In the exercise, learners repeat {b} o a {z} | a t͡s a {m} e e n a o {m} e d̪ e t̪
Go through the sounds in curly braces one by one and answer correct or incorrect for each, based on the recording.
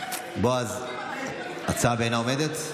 correct, correct, incorrect: b, correct

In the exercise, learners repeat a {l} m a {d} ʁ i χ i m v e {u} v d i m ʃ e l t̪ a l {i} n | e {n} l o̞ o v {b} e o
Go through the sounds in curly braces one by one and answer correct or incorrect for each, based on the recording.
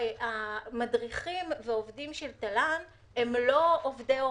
incorrect: none, correct, incorrect: o, incorrect: a, incorrect: m, incorrect: d

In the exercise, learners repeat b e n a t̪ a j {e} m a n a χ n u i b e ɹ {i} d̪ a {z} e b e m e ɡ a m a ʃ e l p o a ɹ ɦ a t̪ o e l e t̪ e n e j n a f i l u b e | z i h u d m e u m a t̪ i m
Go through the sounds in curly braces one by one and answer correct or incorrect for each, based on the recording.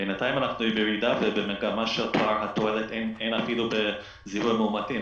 incorrect: i, correct, incorrect: v

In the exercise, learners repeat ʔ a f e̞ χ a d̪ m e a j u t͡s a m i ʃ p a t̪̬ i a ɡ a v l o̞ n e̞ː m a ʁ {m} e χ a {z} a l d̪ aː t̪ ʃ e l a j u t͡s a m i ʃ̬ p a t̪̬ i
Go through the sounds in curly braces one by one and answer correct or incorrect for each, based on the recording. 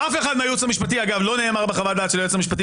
incorrect: b, incorrect: v

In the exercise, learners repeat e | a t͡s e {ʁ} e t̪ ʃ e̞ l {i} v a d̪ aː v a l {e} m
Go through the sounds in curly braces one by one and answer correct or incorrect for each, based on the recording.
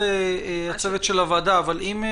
incorrect: v, incorrect: a, incorrect: i

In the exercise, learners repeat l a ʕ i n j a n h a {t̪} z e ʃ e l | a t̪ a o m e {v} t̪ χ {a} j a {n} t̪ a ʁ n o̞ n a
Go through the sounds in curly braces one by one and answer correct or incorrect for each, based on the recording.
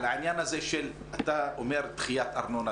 incorrect: none, incorrect: ʁ, incorrect: i, incorrect: none

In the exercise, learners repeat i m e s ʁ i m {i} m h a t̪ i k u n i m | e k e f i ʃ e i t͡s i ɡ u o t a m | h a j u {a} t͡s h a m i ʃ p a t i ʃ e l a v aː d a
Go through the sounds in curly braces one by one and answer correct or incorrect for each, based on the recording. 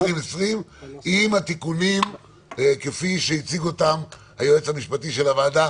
correct, incorrect: e

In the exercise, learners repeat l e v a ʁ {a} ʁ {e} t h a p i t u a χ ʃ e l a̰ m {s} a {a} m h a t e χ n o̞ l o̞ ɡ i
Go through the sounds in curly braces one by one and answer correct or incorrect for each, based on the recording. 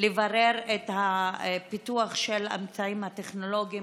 incorrect: e, correct, incorrect: t͡s, incorrect: i

